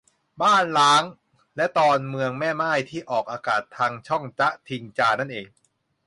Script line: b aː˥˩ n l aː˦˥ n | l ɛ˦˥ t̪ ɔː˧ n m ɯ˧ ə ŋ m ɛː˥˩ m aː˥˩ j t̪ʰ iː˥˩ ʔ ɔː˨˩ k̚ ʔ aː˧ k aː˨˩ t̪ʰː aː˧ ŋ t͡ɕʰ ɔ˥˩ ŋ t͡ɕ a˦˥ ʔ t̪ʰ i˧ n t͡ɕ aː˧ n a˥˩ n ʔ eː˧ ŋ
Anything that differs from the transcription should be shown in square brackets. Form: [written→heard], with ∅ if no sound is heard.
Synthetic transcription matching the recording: b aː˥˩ n l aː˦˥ [n→ŋ] | l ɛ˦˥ t̪ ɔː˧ n m ɯ˧ ə ŋ m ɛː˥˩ m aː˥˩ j t̪ʰ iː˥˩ ʔ ɔː˨˩ k̚ ʔ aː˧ k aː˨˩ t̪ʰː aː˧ ŋ t͡ɕʰ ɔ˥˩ ŋ t͡ɕ a˦˥ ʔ t̪ʰ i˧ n t͡ɕ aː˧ n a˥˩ n ʔ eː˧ ŋ